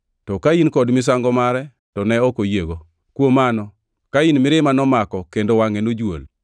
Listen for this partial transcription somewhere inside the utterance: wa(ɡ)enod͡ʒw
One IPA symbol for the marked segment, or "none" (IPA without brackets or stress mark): ŋ